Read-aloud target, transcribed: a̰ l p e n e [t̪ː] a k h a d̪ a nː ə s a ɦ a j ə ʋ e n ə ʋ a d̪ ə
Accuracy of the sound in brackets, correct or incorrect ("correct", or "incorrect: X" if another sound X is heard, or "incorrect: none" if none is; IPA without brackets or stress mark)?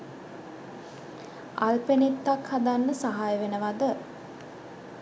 correct